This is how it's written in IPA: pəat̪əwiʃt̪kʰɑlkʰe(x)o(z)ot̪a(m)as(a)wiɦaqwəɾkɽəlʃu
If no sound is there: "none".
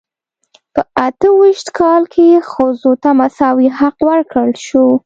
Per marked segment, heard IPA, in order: x, z, m, ɑ

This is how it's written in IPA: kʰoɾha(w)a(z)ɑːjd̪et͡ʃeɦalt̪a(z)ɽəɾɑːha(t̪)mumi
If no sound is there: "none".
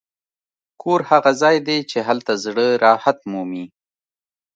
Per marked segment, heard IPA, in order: ɣ, z, z, t̪

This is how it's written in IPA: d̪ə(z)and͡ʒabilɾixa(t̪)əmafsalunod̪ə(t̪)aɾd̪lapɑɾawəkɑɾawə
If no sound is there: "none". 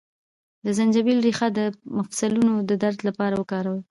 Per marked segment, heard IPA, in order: z, d̪, d̪

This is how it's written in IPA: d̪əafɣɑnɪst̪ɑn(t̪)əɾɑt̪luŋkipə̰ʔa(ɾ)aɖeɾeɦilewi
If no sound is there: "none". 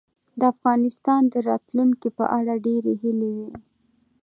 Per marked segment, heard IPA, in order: d̪, ɽ

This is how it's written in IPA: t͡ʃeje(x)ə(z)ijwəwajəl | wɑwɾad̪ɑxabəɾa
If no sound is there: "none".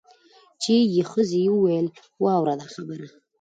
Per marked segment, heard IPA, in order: x, z

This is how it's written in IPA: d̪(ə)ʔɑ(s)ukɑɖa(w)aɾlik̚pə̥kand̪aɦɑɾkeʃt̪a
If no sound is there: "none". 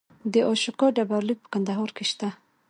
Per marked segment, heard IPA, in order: ə, ʃ, b

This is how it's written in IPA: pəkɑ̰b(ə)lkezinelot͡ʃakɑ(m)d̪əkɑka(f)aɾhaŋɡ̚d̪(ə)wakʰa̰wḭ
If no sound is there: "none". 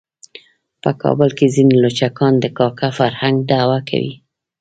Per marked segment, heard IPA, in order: ə, n, f, a

